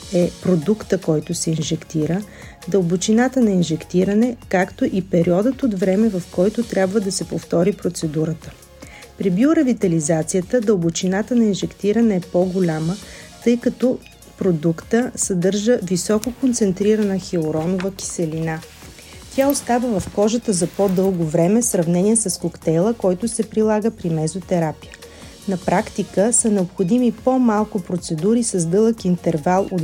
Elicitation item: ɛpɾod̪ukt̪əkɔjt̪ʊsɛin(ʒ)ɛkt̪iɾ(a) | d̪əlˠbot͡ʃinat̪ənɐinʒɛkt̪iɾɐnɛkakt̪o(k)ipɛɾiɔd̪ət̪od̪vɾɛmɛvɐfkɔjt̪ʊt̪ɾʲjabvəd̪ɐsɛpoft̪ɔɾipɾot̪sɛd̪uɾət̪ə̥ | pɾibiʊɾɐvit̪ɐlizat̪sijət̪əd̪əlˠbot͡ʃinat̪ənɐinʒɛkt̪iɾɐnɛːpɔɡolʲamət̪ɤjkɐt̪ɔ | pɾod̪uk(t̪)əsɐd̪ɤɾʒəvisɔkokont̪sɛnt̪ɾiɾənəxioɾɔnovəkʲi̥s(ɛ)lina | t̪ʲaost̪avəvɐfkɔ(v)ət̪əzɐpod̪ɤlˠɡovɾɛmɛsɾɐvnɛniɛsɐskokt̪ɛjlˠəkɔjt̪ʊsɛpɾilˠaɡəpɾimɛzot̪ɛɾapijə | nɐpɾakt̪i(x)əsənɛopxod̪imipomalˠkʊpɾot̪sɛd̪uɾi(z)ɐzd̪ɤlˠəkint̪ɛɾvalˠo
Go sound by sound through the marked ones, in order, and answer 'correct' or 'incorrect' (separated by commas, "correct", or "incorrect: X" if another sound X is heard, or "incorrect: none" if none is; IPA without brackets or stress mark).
correct, incorrect: ə, incorrect: ʔ, correct, correct, incorrect: ʒ, incorrect: k, incorrect: s